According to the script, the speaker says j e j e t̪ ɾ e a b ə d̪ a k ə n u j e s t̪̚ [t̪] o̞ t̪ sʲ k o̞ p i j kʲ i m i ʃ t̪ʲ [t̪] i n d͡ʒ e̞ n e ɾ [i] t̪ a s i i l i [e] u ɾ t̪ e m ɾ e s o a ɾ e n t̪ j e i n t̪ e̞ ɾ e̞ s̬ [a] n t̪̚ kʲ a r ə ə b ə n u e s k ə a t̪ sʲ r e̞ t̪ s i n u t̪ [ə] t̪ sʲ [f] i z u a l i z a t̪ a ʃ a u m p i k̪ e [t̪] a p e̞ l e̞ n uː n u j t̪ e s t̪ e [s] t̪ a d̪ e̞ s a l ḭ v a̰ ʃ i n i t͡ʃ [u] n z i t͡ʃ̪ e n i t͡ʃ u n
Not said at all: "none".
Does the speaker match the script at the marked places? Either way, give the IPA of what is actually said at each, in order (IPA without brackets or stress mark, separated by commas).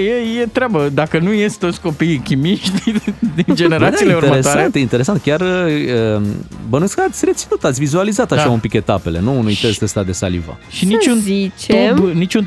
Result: t̪, d̪, a, e, a, a, v, t̪, s, u